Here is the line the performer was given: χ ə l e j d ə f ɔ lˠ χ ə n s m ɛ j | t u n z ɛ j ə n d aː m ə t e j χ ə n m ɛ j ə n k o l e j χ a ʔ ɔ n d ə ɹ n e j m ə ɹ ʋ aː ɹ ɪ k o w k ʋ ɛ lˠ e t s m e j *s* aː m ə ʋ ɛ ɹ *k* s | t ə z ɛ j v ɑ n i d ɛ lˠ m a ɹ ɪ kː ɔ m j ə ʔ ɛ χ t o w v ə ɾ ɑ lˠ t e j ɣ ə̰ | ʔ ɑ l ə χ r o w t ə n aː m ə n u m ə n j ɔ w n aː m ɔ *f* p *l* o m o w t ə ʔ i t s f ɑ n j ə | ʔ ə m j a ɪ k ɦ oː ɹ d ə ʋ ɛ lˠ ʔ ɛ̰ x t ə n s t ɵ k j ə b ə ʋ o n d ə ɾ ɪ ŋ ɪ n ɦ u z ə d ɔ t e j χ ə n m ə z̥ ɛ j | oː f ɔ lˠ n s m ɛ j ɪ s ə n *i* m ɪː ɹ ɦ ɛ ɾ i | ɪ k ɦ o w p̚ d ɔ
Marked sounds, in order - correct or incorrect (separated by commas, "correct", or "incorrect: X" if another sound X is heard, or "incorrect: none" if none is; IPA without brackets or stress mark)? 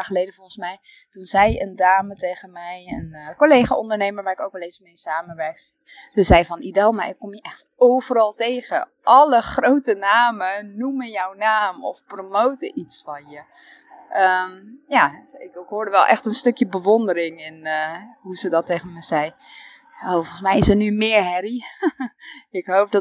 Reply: correct, correct, correct, incorrect: r, incorrect: y